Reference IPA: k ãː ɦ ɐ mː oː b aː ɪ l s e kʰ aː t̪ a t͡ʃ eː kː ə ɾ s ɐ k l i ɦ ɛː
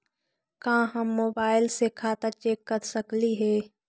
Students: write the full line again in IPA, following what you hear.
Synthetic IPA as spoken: k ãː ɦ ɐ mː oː b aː ɪ l s e kʰ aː t̪ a t͡ʃ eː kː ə ɾ s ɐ k l i ɦ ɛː